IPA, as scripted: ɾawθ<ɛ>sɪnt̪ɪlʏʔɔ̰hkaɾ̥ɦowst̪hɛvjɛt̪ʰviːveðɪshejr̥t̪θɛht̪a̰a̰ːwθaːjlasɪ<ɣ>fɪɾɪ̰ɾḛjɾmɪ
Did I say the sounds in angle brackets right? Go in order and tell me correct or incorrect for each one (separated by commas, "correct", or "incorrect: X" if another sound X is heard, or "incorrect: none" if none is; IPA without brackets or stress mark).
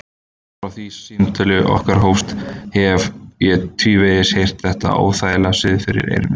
incorrect: i, incorrect: ð